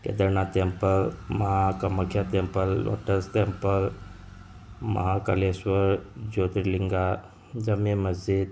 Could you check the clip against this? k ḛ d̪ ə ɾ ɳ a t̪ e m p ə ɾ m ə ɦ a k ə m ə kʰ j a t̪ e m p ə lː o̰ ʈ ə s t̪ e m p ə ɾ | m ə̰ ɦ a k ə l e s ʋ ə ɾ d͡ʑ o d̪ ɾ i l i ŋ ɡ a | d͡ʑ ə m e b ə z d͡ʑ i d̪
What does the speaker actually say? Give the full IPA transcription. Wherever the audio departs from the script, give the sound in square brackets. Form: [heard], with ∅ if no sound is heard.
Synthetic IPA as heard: k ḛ d̪ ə ɾ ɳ a t̪ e m p ə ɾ m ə ɦ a k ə m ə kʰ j a t̪ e m p ə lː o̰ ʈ ə s t̪ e m p ə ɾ | m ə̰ ɦ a k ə l e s ʋ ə ɾ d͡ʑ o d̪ ɾ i l i ŋ ɡ a | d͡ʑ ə m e [m] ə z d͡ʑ i d̪